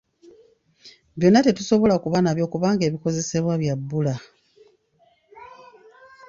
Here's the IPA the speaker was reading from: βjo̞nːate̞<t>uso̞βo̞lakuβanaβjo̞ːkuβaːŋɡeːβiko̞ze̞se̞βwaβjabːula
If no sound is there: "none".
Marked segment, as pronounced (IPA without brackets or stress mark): t